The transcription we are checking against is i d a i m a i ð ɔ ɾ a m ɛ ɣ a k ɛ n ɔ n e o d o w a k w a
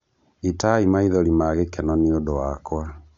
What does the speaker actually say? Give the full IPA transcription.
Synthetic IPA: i t a i m a i ð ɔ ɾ i m a ɣ e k ɛ n ɔ n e o d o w a k w a